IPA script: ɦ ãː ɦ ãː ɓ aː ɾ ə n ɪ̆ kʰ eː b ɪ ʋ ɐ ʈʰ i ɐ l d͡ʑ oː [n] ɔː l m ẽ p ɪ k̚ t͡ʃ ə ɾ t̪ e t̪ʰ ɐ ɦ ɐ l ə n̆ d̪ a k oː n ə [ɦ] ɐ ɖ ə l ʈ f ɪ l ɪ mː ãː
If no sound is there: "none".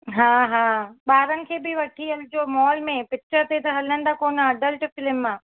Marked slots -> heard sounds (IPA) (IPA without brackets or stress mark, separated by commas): m, none